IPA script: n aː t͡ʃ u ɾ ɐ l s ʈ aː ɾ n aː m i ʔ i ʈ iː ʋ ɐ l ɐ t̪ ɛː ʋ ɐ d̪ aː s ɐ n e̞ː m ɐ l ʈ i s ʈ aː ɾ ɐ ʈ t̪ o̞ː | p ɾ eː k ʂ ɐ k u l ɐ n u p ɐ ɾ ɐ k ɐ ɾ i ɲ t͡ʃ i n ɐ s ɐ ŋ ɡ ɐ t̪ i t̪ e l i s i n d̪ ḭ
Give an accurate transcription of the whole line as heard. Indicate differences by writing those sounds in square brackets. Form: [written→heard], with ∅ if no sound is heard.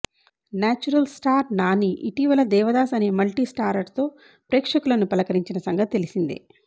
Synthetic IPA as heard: n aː t͡ʃ u ɾ ɐ l s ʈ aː ɾ n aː [m→n] i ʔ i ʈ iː ʋ ɐ l ɐ [t̪→d̪] ɛː ʋ ɐ d̪ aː s ɐ n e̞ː m ɐ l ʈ i s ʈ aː ɾ ɐ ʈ t̪ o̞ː | p ɾ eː k ʂ ɐ k u l ɐ n u p ɐ [ɾ→l] ɐ k ɐ ɾ i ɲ t͡ʃ i n ɐ s ɐ ŋ ɡ ɐ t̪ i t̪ e l i s i n d̪ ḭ